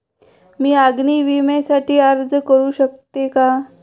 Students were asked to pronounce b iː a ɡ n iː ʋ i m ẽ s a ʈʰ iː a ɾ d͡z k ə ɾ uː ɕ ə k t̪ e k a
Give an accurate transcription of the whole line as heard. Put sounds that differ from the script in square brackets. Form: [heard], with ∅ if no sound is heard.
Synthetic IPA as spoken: [m] iː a ɡ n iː ʋ i m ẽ s a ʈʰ iː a ɾ d͡z k ə ɾ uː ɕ ə k t̪ e k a